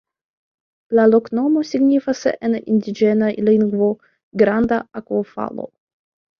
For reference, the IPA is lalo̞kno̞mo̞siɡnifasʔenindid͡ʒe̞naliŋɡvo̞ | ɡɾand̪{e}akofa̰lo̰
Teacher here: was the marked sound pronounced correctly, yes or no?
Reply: no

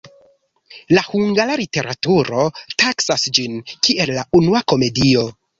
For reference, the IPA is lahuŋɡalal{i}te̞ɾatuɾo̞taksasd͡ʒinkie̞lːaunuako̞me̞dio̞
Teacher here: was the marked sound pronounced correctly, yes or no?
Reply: yes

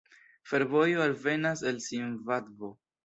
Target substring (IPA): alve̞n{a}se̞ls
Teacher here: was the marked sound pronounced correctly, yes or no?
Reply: yes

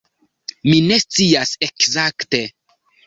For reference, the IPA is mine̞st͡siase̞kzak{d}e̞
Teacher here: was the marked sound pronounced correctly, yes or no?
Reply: no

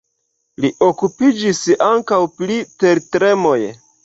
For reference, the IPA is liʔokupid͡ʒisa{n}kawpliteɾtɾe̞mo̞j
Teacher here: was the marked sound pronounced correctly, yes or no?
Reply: no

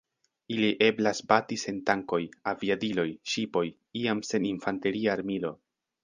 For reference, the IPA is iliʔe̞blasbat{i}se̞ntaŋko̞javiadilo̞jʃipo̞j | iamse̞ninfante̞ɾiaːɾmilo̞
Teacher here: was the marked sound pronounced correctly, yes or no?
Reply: yes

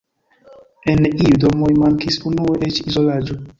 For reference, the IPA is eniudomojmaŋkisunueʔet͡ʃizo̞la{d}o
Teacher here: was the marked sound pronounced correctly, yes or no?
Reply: no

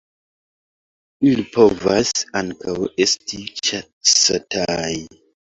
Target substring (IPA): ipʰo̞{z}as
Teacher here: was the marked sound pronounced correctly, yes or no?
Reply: no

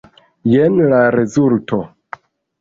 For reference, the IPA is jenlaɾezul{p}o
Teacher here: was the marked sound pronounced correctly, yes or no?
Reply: no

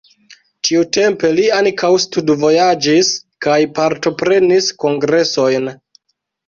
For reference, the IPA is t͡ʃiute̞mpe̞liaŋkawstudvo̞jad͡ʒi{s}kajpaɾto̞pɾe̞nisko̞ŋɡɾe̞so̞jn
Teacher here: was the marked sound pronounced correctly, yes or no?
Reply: yes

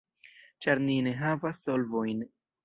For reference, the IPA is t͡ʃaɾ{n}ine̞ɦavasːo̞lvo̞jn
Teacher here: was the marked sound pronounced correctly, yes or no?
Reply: yes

